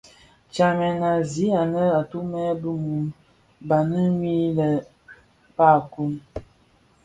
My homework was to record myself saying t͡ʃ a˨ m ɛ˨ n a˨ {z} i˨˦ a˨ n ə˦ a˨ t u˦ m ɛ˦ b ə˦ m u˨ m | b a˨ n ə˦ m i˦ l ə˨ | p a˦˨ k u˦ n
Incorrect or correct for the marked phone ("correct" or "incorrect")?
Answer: correct